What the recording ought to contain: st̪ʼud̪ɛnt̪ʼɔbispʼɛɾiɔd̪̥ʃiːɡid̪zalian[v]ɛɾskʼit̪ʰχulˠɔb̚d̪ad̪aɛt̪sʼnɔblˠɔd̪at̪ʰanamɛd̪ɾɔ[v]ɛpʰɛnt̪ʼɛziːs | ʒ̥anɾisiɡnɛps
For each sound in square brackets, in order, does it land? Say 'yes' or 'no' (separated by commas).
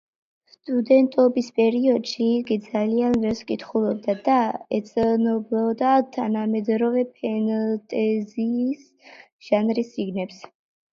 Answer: yes, yes